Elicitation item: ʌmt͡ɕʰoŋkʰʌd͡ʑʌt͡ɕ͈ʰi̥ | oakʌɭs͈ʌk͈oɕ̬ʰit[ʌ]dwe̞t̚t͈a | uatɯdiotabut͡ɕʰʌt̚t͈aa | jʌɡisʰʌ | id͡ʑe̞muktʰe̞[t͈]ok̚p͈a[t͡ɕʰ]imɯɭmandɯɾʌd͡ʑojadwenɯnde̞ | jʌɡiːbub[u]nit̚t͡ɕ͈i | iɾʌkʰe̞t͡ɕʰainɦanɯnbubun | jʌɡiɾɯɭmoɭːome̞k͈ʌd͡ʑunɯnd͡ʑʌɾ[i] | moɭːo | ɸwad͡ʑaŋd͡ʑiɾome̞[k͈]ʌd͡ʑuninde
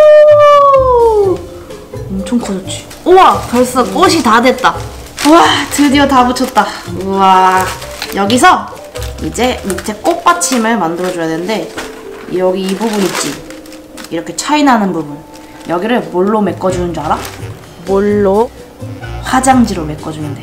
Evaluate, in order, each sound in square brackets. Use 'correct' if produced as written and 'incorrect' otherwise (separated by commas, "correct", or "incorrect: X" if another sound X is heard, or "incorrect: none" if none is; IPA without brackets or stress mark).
incorrect: a, incorrect: k͈, correct, correct, incorrect: a, correct